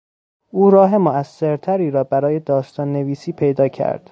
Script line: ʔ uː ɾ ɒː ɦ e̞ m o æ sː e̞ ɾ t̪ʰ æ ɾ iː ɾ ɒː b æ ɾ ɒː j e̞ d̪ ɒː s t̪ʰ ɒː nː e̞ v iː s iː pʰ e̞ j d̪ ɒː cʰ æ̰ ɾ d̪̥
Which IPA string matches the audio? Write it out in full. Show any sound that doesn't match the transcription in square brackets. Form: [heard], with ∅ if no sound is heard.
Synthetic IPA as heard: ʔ uː ɾ ɒː ɦ e̞ m o æ sː e̞ ɾ t̪ʰ æ ɾ iː ɾ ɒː b æ ɾ ɒː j e̞ d̪ ɒː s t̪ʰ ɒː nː e̞ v iː s iː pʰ e̞ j d̪ ɒː cʰ æ̰ ɾ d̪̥